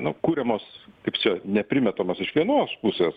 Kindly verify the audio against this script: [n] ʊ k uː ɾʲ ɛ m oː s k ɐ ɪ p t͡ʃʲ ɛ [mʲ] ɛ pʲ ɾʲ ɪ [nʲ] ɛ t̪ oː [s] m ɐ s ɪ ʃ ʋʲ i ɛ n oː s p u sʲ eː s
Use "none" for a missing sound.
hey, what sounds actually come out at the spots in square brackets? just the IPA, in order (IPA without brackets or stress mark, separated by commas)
n, nʲ, mʲ, none